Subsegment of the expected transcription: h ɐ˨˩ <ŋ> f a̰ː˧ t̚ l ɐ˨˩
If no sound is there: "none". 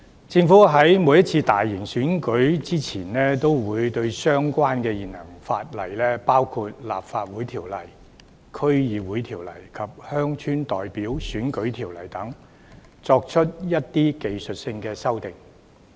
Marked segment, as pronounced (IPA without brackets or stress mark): ŋ